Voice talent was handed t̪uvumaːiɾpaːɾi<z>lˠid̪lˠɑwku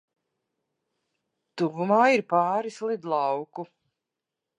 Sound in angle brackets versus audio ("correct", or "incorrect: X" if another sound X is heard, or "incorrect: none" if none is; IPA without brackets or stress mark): incorrect: s